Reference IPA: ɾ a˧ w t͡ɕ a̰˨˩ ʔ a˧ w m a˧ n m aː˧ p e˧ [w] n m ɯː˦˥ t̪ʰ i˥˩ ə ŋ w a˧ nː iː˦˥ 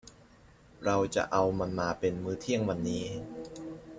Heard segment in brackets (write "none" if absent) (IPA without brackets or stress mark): none